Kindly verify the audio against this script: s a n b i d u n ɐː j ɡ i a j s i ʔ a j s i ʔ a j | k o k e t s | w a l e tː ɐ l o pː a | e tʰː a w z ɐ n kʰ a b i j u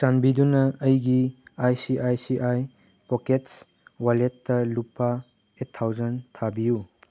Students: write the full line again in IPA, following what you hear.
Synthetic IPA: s a n b i d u n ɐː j ɡ i a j s i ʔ a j s i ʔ a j | p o k e t s | w a l e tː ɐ l u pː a | e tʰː a w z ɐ n tʰ a b i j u